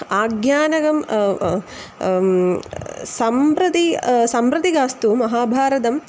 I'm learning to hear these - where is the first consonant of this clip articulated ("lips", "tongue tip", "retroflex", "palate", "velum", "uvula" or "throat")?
velum